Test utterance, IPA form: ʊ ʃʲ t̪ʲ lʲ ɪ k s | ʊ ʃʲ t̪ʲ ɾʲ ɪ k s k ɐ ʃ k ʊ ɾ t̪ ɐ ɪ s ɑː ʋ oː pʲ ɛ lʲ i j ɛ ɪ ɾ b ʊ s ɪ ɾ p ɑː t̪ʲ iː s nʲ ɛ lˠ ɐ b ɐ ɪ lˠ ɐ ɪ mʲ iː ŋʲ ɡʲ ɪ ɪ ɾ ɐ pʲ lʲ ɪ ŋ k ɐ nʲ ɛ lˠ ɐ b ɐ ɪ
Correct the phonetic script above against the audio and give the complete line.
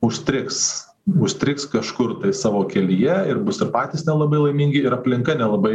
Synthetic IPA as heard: ʊ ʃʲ t̪ʲ ɾʲ ɪ k s | ʊ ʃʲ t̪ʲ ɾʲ ɪ k s k ɐ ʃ k ʊ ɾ t̪ ɐ ɪ s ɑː ʋ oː kʲ ɛ lʲ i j ɛ ɪ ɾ b ʊ s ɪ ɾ p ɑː t̪ʲ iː s nʲ ɛ lˠ ɐ b ɐ ɪ lˠ ɐ ɪ mʲ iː ŋʲ ɡʲ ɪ ɪ ɾ ɐ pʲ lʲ ɪ ŋ k ɐ nʲ ɛ lˠ ɐ b ɐ ɪ